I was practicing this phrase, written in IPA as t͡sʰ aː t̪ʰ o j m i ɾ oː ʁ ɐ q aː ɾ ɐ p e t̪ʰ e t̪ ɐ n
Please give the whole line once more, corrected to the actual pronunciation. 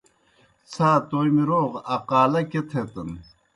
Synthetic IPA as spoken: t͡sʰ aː t̪ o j m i ɾ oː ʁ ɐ q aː l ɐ k e t̪ʰ e t̪ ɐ n

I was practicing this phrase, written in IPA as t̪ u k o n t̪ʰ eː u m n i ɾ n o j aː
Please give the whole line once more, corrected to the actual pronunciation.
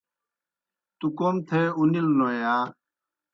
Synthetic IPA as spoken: t̪ u k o m t̪ʰ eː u n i l n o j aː

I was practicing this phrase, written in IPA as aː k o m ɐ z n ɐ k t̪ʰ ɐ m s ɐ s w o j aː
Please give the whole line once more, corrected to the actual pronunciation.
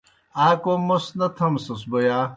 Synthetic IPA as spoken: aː k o m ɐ s n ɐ t̪ʰ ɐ m s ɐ s b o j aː

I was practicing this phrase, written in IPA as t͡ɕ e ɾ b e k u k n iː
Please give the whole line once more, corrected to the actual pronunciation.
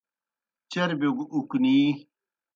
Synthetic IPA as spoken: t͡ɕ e ɾ b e ɡ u k n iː

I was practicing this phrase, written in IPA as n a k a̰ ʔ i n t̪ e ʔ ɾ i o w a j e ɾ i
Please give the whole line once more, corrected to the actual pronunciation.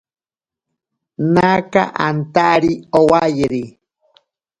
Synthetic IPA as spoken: n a k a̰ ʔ a n t̪ a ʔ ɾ i o w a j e ɾ i

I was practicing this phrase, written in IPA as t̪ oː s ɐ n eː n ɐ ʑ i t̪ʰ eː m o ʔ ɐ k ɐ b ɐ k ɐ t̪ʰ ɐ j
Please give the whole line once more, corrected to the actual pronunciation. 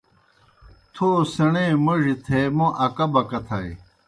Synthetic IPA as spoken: t̪ʰ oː s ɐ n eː m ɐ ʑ i t̪ʰ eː m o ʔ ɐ k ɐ b ɐ k ɐ t̪ʰ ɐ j

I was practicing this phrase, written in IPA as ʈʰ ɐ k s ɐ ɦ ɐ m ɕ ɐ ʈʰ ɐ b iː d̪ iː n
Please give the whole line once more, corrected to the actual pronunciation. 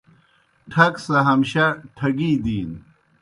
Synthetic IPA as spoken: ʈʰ ɐ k s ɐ ɦ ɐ m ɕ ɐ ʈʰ ɐ ɡ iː d̪ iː n

